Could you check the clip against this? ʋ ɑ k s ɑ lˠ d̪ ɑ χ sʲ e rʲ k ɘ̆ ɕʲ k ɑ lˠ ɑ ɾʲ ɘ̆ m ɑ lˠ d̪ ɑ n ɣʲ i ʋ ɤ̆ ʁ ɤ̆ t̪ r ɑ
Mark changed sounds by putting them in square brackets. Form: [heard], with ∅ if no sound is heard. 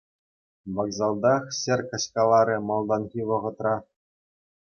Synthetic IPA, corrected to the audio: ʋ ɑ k [z] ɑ lˠ d̪ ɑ χ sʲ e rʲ k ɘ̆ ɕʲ k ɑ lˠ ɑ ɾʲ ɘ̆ m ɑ lˠ d̪ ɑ n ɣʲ i ʋ ɤ̆ ʁ ɤ̆ t̪ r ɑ